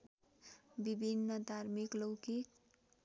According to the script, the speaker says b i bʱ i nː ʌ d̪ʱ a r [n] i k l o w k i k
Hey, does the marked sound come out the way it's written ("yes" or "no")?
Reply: no